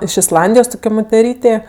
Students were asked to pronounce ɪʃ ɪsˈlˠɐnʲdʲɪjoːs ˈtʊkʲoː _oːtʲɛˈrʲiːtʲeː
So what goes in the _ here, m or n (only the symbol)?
m